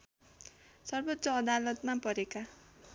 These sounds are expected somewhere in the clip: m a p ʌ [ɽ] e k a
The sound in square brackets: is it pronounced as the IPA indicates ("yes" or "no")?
no